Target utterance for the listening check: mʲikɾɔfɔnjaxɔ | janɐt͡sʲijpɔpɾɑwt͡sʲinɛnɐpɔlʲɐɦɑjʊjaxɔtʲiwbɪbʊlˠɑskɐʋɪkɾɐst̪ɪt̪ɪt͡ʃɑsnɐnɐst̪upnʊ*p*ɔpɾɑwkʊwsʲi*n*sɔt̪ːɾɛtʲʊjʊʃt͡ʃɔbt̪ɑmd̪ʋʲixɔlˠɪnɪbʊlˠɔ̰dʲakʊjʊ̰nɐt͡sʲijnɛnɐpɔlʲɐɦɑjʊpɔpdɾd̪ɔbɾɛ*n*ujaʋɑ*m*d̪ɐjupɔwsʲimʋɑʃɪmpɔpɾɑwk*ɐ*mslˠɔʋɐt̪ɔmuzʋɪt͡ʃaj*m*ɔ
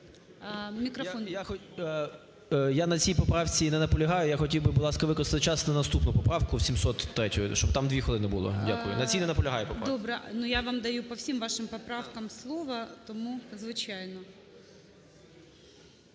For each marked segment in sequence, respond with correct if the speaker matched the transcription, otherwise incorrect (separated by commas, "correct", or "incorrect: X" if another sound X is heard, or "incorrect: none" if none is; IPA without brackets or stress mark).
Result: correct, incorrect: m, correct, correct, correct, incorrect: n